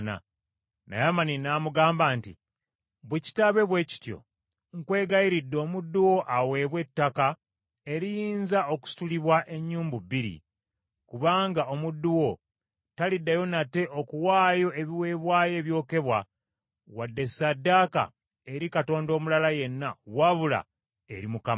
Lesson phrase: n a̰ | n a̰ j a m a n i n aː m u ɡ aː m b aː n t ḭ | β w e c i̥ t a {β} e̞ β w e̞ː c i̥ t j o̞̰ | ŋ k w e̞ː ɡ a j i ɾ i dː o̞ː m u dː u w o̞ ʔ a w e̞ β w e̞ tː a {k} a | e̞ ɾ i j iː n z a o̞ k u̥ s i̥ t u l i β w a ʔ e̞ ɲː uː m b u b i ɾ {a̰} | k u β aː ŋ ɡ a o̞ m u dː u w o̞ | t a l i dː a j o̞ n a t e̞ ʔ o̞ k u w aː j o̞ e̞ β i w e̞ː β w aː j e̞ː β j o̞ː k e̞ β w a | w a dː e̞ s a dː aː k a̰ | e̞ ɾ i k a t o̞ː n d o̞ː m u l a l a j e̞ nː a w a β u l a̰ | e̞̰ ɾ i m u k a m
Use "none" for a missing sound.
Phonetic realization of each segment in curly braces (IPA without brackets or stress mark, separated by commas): β, k, ḭ